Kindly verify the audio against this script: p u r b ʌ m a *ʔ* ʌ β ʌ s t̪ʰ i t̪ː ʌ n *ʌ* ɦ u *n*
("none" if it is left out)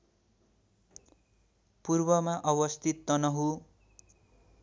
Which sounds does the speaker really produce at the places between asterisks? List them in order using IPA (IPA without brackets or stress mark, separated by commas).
ʔ, ʌ, none